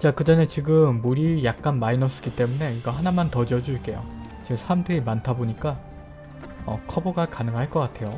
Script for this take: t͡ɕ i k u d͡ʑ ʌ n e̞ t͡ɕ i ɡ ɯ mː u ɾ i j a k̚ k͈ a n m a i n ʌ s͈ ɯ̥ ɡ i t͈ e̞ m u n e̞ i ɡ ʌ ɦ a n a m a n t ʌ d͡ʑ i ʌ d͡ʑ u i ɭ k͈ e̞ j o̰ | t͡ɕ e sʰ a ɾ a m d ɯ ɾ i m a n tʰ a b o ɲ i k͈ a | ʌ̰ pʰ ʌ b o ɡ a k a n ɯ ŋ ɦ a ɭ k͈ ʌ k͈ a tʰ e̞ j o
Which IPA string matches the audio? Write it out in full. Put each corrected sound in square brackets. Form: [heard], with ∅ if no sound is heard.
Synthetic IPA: t͡ɕ [a] k [ɯ] d͡ʑ ʌ n e̞ t͡ɕ i ɡ ɯ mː u ɾ i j a k̚ k͈ a n m a i n ʌ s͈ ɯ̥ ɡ i t͈ e̞ m u n e̞ i ɡ ʌ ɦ a n a m a n t ʌ d͡ʑ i ʌ d͡ʑ u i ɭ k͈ e̞ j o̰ | t͡ɕ e sʰ a ɾ a m d ɯ ɾ i m a n tʰ a b o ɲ i k͈ a | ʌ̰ [kʰ] ʌ b o ɡ a k a n ɯ ŋ ɦ a ɭ k͈ ʌ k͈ a tʰ e̞ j o